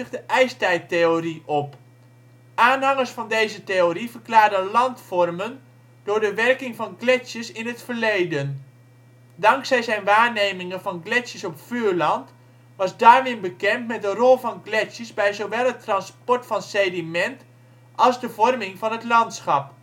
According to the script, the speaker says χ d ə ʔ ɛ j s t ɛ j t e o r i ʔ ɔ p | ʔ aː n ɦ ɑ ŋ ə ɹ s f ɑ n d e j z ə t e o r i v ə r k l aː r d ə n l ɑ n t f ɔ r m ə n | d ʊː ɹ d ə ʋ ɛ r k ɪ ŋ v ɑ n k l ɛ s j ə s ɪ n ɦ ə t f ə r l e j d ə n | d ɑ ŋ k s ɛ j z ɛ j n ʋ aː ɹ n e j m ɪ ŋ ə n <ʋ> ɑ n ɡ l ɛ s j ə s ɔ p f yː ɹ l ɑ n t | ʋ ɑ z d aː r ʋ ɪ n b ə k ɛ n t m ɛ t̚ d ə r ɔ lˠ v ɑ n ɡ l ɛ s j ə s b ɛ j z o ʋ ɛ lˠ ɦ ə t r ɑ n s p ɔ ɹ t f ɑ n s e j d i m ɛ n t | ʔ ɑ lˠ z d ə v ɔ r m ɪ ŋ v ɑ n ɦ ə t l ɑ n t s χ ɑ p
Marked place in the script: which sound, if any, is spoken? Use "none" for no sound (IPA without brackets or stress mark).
v